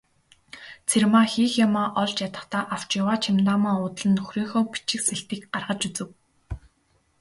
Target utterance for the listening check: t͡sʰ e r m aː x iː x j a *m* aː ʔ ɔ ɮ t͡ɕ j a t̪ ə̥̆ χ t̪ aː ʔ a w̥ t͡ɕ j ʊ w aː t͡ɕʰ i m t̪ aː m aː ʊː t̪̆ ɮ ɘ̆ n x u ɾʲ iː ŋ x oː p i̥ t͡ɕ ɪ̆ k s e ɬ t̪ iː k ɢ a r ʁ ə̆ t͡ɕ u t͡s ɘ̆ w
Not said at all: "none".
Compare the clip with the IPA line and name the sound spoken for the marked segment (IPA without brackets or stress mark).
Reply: m